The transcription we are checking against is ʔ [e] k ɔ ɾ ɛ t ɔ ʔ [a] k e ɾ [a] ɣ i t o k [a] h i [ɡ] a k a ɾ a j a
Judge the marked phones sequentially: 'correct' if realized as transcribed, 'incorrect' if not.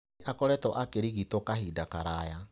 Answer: incorrect: a, correct, incorrect: i, correct, incorrect: d

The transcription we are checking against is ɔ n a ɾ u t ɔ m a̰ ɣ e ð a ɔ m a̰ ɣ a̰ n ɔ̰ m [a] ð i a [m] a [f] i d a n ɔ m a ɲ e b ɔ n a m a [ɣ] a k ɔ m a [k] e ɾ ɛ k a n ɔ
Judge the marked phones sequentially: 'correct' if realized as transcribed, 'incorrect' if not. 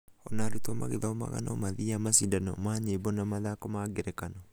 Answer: correct, correct, incorrect: s, incorrect: ð, incorrect: ɡ

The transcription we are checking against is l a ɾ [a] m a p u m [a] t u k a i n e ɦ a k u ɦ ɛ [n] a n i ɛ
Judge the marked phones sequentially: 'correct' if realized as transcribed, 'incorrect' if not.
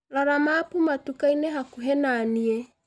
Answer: correct, correct, correct

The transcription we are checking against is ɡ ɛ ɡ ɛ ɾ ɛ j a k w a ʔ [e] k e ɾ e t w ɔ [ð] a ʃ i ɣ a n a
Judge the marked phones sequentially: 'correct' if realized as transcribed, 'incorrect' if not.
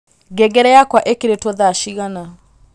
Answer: correct, correct

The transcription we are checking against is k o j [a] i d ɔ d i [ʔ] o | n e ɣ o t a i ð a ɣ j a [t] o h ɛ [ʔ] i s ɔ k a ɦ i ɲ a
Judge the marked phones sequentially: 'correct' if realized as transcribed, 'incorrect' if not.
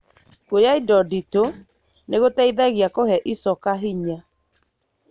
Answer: correct, incorrect: t, incorrect: k, correct

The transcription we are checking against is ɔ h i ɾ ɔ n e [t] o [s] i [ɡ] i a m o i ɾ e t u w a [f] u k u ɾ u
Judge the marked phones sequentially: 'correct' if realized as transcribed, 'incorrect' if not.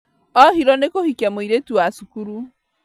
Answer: incorrect: k, incorrect: h, incorrect: k, incorrect: s

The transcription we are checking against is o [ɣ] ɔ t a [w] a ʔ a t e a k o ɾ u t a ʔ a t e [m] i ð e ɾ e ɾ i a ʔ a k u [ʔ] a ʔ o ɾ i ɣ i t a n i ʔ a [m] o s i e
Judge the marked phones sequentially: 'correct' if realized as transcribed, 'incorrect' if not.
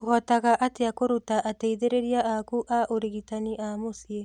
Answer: correct, incorrect: ɣ, incorrect: none, correct, correct

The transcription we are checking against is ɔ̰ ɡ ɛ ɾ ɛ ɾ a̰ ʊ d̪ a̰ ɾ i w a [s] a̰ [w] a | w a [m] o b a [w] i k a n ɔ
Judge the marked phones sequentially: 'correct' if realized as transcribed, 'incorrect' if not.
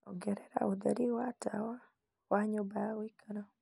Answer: incorrect: t, correct, incorrect: ɲ, correct

